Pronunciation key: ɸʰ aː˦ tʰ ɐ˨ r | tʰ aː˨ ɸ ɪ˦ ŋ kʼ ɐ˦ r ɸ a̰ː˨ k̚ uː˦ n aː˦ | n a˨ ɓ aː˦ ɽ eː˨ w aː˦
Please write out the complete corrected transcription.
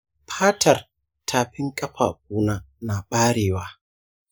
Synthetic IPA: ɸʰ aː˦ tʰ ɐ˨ r | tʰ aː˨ ɸ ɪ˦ ŋ kʼ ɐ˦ ɸ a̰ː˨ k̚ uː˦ n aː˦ | n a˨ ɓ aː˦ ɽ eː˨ w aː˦